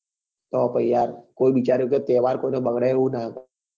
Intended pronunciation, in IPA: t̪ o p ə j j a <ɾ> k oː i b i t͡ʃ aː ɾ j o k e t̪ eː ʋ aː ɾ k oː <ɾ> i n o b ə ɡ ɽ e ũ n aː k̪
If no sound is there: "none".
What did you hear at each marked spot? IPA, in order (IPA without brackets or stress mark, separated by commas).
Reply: ɾ, none